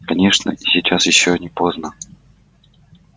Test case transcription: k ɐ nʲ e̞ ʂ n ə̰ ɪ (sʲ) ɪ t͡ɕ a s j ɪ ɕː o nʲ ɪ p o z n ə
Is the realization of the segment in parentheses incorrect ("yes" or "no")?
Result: no